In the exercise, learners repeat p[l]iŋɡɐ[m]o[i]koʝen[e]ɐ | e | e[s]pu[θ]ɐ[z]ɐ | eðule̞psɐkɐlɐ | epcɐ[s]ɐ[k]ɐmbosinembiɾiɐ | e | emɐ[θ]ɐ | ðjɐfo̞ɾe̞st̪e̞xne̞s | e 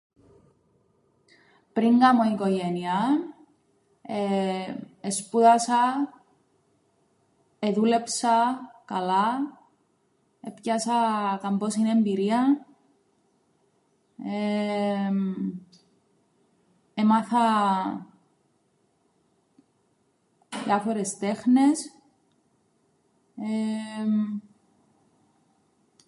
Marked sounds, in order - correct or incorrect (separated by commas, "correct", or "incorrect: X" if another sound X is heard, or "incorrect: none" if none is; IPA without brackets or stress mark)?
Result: incorrect: ɾ, correct, correct, incorrect: i, correct, incorrect: ð, incorrect: s, correct, correct, correct